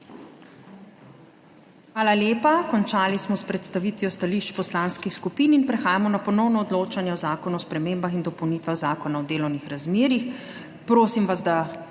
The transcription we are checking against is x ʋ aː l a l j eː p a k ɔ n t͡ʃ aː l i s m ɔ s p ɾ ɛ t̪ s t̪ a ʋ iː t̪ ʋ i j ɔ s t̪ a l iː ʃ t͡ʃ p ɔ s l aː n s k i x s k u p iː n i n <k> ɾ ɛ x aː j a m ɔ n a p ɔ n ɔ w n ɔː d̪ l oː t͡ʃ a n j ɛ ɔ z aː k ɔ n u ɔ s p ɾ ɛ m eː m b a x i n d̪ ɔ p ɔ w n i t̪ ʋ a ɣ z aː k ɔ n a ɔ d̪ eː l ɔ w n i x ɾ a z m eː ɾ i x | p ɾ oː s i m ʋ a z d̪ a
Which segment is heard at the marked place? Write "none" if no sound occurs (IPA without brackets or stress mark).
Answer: p